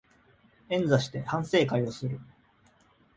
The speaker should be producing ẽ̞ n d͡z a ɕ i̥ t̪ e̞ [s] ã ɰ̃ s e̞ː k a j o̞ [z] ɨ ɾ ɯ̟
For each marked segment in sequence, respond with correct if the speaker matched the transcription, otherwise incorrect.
incorrect: h, incorrect: s

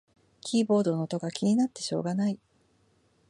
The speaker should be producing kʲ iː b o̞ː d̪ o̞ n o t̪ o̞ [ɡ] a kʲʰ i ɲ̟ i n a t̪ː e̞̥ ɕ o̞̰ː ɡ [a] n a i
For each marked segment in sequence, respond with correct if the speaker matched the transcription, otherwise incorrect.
correct, correct

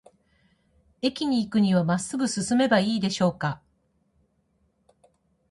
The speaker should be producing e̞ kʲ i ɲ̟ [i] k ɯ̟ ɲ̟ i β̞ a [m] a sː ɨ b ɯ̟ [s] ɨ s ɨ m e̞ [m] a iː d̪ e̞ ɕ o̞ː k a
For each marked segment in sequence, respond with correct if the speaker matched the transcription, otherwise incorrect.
incorrect: iː, correct, correct, incorrect: b

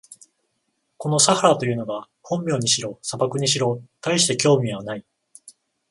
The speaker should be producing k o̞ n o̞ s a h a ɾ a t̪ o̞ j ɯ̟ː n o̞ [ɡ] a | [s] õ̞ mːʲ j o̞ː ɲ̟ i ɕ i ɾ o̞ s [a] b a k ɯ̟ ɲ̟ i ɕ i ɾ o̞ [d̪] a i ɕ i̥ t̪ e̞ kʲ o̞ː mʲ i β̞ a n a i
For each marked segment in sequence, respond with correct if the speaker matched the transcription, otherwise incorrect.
correct, incorrect: h, correct, incorrect: t̪

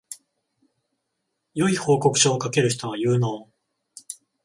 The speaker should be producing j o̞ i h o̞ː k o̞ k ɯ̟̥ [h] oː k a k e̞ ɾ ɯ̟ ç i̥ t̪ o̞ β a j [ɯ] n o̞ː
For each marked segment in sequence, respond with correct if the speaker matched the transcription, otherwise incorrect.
incorrect: ɕ, incorrect: ɯː

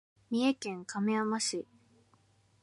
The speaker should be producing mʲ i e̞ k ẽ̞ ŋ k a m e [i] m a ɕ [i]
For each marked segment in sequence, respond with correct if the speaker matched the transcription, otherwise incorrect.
incorrect: a, correct

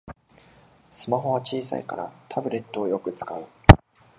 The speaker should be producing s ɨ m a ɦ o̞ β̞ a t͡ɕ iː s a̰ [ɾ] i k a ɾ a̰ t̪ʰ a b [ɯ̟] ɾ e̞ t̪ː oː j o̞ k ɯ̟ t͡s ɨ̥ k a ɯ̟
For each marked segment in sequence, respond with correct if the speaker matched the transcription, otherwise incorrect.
incorrect: none, correct

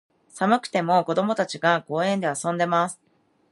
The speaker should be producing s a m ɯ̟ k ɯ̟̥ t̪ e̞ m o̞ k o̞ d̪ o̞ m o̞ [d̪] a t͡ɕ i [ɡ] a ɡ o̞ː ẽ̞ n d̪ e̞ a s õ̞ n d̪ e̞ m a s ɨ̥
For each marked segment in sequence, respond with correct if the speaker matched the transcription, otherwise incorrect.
incorrect: t̪, correct

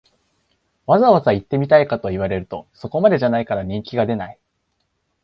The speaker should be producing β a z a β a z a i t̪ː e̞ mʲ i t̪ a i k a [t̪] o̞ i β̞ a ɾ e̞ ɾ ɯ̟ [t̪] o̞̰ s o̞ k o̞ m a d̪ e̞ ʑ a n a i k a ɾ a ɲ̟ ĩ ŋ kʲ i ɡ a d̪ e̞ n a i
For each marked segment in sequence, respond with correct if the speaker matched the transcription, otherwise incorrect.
correct, correct

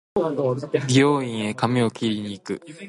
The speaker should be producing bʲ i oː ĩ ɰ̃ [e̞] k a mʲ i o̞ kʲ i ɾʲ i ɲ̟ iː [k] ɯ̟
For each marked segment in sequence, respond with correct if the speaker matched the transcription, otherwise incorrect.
correct, correct

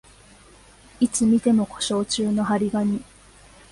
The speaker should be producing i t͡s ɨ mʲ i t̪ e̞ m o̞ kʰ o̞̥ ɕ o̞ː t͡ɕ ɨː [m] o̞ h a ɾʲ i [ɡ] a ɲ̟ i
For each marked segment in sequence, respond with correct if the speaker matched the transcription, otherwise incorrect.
incorrect: n, correct

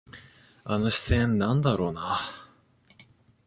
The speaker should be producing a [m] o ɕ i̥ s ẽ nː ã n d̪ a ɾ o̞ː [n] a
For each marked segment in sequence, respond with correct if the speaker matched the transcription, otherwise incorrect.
incorrect: n, correct

